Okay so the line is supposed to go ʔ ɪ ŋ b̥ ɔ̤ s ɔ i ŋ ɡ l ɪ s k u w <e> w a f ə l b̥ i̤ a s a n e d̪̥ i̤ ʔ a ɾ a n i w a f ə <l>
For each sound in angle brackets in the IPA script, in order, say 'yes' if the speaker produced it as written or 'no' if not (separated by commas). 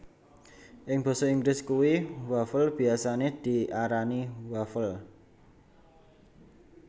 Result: no, yes